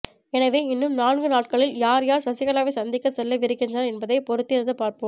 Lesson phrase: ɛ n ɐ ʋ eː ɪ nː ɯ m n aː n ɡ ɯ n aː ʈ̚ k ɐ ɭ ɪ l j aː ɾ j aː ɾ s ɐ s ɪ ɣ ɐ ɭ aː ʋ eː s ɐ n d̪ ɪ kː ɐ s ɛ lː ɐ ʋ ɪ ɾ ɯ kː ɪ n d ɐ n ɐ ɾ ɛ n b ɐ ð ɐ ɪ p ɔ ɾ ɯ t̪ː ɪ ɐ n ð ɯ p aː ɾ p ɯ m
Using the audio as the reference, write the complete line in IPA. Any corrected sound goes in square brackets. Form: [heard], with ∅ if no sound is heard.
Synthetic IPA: ɛ n ɐ ʋ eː ɪ nː ɯ m n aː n ɡ ɯ n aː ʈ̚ k ɐ ɭ ɪ l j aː ɾ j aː ɾ s ɐ s ɪ ɣ ɐ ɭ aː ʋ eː s ɐ n d̪ ɪ kː ɐ s ɛ lː ɐ ʋ ɪ ɾ ɯ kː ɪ n d ɐ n ɐ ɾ ɛ n b ɐ ð ɐ ɪ p ɔ ɾ ɯ t̪ː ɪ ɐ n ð ɯ p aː ɾ p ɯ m

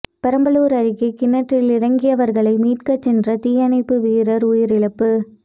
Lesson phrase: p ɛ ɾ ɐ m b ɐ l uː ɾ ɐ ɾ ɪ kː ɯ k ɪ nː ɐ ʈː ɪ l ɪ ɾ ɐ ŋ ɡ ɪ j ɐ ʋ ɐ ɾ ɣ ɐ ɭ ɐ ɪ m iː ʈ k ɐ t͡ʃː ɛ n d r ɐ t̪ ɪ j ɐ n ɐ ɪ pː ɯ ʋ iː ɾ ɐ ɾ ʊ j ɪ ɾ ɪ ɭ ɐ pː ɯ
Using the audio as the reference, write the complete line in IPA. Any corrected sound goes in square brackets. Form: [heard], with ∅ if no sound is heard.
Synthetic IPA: p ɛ ɾ ɐ m b ɐ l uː ɾ ɐ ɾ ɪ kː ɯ k ɪ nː ɐ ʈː ɪ l ɪ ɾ ɐ ŋ ɡ ɪ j ɐ ʋ ɐ ɾ ɣ ɐ ɭ ɐ ɪ m iː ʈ k ɐ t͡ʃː ɛ n d r ɐ t̪ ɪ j ɐ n ɐ ɪ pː ɯ ʋ iː ɾ ɐ ɾ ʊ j ɪ ɾ ɪ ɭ ɐ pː ɯ

